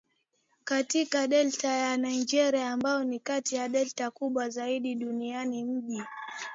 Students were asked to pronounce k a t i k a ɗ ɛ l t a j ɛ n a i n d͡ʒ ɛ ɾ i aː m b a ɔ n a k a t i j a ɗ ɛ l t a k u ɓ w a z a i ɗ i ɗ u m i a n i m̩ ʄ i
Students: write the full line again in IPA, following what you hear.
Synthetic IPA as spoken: k a t i k a ɗ ɛ l t a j a n a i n d͡ʒ ɛ ɾ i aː m b a ɔ n i k a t i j a ɗ ɛ l t a k u ɓ w a z a i ɗ i ɗ u n i a n i m̩ ʄ i

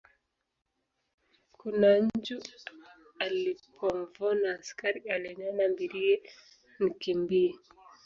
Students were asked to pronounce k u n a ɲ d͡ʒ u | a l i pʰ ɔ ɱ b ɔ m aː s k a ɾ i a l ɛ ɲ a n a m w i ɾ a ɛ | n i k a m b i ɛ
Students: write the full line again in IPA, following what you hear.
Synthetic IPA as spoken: k u n a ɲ d͡ʒ u | a l i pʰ ɔ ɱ v ɔ n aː s k a ɾ i a l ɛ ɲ a n a m b i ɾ i ɛ | n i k i m b i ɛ

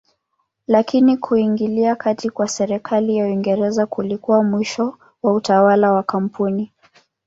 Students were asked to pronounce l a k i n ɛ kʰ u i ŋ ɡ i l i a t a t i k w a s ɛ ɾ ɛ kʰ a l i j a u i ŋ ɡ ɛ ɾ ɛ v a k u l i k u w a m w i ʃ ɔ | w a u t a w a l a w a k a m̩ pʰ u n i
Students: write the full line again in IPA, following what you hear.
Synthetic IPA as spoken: l a k i n i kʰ u i ŋ ɡ i l i a k a t i k w a s ɛ ɾ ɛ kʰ a l i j a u i ŋ ɡ ɛ ɾ ɛ z a k u l i k u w a m w i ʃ ɔ | w a u t a w a l a w a k a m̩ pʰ u n i

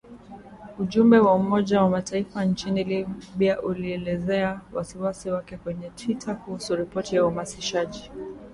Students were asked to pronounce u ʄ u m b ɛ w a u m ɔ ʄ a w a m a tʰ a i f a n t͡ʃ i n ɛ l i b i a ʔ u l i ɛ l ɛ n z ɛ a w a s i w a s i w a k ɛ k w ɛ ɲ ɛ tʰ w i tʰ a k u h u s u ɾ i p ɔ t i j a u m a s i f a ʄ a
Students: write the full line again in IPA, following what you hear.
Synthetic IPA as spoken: u ʄ u m b ɛ w a u m ɔ ʄ a w a m a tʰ a i f a n t͡ʃ i n i l i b i a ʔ u l i ɛ l ɛ z ɛ a w a s i w a s i w a k ɛ k w ɛ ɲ ɛ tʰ w i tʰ a k u h u s u ɾ i p ɔ t i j a u m a s i ʃ a ʄ i

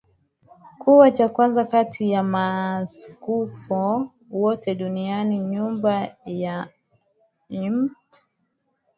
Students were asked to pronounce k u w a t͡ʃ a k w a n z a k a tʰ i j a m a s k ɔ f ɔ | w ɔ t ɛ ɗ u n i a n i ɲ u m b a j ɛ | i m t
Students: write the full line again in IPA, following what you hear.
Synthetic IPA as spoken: k u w a t͡ʃ a k w a n z a k a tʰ i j a m a s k u f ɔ | w ɔ t ɛ ɗ u n i a n i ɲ u m b a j a | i m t

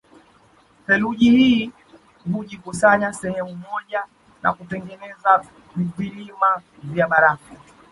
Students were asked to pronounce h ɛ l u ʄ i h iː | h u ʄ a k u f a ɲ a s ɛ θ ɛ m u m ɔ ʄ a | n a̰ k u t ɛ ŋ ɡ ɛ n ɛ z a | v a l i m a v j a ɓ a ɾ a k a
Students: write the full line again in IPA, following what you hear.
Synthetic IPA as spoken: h ɛ l u ʄ i h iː | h u ʄ i k u s a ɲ a s ɛ h ɛ m u m ɔ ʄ a | n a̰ k u t ɛ ŋ ɡ ɛ n ɛ z a | v i l i m a v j a ɓ a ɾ a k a

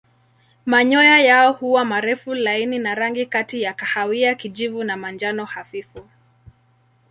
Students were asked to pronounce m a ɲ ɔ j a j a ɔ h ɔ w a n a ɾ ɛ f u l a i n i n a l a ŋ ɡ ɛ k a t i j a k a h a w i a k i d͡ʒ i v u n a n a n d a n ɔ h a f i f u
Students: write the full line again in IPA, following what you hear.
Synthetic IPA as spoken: m a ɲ ɔ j a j a ɔ h u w a m a ɾ ɛ f u l a i n i n a ɾ a ŋ ɡ i k a t i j a k a h a w i a k i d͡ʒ i v u n a m a n d͡ʒ a n ɔ h a f i f u

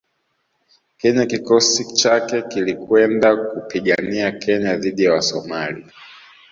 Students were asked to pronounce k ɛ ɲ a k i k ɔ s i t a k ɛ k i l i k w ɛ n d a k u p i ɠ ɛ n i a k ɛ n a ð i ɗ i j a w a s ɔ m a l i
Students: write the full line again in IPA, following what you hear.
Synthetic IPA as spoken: k ɛ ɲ a k i k ɔ s i t͡ʃ a k ɛ k i l i k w ɛ n d a k u p i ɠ a n i a k ɛ ɲ a ð i ɗ i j a w a s ɔ m a l i

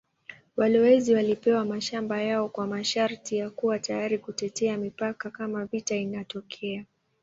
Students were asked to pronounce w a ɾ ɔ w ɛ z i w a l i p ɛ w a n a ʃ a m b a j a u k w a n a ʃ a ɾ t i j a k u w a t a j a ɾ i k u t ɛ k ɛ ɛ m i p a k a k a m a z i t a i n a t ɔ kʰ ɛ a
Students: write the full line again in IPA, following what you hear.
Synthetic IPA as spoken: w a l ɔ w ɛ z i w a l i p ɛ w a m a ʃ a m b a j a ɔ k w a m a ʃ a ɾ t i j a k u w a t a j a ɾ i k u t ɛ t ɛ a m i p a k a k a m a v i t a i n a t ɔ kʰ ɛ a

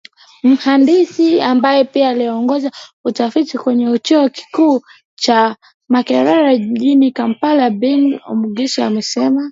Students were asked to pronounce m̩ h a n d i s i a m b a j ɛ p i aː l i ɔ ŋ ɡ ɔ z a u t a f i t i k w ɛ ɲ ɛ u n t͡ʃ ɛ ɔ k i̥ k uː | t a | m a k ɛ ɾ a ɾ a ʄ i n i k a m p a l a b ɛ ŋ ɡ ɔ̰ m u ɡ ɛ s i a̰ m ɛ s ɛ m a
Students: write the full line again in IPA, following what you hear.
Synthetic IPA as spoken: m̩ h a n d i s i a m b a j ɛ p i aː l i ɔ ŋ ɡ ɔ z a u t a f i t i k w ɛ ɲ ɛ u t͡ʃ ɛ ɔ k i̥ k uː | t͡ʃ a | m a k ɛ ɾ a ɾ a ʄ i n i k a m p a l a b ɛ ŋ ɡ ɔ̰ m u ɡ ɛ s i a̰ m ɛ s ɛ m a

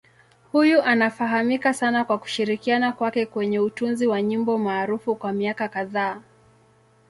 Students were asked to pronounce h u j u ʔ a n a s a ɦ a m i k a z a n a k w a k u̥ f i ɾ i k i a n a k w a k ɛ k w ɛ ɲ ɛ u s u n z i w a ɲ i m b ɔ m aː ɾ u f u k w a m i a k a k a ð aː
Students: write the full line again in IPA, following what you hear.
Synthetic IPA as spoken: h u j u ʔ a n a f a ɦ a m i k a s a n a k w a k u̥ ʃ i ɾ i k i a n a k w a k ɛ k w ɛ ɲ ɛ u t u n z i w a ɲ i m b ɔ m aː ɾ u f u k w a m i a k a k a ð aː

